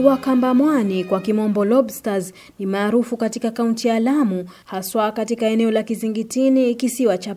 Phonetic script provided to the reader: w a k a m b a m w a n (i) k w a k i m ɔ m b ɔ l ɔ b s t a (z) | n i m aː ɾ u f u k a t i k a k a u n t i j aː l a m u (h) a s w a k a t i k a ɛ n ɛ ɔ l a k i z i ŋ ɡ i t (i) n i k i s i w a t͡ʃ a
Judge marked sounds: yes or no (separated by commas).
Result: yes, yes, yes, yes